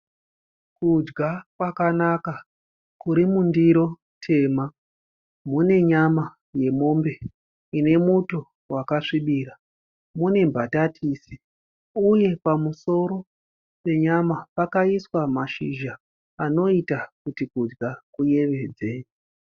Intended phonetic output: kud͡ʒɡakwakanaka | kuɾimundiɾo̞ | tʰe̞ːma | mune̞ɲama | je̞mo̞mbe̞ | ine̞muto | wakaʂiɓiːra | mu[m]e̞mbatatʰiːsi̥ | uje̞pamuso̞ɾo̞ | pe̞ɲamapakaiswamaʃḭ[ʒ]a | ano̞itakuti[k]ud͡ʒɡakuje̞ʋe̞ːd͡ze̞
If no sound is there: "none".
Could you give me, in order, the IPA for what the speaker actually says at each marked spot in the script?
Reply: n, ʒ, k

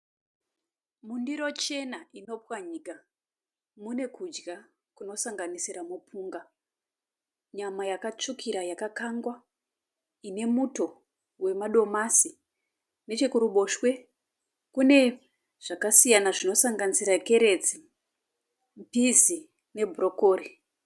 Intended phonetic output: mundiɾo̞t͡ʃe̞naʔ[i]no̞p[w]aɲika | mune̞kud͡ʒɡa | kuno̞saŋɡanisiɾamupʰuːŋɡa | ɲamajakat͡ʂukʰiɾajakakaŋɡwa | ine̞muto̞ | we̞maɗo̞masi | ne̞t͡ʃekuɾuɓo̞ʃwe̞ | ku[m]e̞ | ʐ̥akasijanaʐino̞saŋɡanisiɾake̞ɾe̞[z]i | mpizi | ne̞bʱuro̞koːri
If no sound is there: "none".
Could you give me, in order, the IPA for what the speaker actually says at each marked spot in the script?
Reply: i, w, n, d͡z

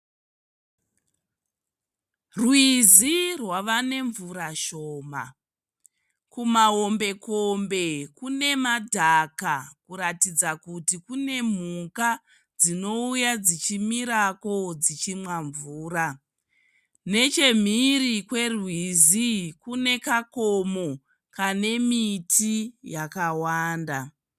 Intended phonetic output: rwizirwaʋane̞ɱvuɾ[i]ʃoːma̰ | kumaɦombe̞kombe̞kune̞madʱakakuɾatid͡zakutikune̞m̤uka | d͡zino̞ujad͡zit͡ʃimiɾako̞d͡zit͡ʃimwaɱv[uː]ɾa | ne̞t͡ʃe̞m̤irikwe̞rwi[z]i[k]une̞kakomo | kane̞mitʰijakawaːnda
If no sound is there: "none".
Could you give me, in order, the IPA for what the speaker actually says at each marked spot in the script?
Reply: a, uː, z, k

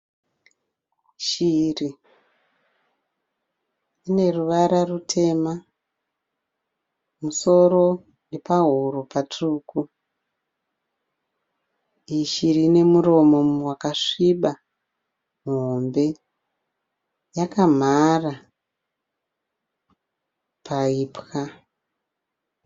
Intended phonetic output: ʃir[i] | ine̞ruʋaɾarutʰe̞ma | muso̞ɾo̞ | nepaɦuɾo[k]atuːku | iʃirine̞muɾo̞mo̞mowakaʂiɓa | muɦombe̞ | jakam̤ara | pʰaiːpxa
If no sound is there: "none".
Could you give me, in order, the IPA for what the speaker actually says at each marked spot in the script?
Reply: i, p

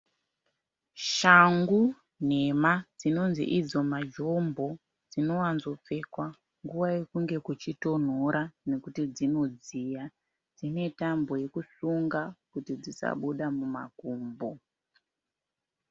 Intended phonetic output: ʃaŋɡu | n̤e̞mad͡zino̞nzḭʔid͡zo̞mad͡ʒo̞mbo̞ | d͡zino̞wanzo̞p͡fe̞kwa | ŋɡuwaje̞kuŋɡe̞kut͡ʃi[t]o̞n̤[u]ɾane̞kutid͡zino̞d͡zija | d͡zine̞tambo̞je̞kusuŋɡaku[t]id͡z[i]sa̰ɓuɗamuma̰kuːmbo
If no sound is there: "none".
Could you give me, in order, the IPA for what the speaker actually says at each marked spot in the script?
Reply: t, o, t, i

